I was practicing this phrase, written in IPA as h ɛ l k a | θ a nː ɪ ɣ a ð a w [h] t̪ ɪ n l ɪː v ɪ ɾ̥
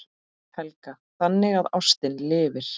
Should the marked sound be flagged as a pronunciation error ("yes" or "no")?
yes